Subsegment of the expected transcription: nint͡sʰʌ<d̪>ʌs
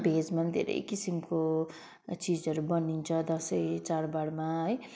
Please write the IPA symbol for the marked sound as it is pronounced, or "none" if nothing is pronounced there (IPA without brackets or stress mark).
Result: d̪